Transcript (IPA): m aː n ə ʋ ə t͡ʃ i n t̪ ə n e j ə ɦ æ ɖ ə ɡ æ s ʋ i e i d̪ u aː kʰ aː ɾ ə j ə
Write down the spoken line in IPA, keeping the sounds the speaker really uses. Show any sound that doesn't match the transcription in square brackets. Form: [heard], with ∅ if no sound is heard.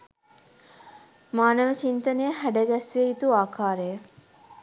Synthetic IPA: m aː n ə ʋ ə t͡ʃ i n t̪ ə n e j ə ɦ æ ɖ ə ɡ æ s ʋ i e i [t̪] u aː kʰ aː ɾ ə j ə